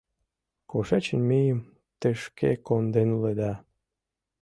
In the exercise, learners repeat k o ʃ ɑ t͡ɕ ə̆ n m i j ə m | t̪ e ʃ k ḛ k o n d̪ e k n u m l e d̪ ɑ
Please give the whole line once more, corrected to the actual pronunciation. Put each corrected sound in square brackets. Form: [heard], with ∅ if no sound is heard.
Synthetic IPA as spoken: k o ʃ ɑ t͡ɕ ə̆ n m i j ə m | t̪ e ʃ k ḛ k o n d̪ e [∅] n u [∅] l e d̪ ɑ